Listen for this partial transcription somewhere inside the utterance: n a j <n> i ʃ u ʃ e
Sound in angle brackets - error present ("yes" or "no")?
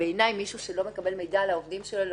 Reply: yes